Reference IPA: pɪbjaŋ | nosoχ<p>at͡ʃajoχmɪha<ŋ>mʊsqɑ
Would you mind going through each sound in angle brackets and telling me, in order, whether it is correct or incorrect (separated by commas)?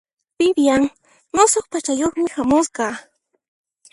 correct, incorrect